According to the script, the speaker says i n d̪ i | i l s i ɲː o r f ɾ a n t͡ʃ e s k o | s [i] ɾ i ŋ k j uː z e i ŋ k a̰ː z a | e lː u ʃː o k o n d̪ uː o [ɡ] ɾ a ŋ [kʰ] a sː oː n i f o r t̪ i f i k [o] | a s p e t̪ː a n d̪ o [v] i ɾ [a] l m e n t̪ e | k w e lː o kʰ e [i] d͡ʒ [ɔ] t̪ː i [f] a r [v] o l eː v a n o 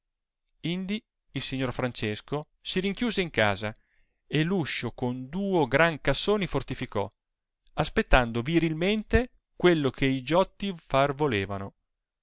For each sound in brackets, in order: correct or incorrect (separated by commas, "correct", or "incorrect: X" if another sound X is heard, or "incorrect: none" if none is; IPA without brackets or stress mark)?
correct, correct, incorrect: k, incorrect: ɔ, correct, incorrect: i, correct, correct, correct, correct